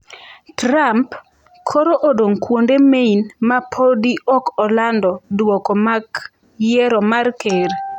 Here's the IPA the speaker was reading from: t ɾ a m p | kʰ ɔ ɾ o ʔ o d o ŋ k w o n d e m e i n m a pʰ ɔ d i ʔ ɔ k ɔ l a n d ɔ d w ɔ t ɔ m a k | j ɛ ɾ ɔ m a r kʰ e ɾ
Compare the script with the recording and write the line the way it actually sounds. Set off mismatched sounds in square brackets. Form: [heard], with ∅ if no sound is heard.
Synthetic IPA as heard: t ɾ a m p | kʰ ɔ ɾ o ʔ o d o ŋ k w o n d e m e i n m a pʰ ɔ d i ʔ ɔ k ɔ l a n d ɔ d w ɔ [k] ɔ m a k | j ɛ ɾ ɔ m a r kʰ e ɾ